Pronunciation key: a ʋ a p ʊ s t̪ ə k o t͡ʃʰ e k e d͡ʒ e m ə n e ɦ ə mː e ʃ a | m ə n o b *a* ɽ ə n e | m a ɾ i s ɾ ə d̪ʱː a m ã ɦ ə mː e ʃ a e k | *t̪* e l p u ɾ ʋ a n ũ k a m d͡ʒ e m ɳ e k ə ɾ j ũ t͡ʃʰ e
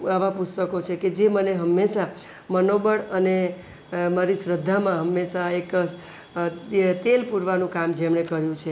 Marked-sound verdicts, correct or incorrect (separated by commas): incorrect, correct